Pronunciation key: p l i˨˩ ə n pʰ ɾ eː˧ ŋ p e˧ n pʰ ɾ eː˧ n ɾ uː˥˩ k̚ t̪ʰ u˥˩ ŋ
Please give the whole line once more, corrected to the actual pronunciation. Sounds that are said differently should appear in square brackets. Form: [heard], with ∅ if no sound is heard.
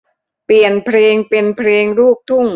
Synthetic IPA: p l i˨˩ ə n pʰ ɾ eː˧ ŋ p e˧ n pʰ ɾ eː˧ [ŋ] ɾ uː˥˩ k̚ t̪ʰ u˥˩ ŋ